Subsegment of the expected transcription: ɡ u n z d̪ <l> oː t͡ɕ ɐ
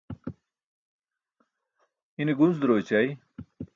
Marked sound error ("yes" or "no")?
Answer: yes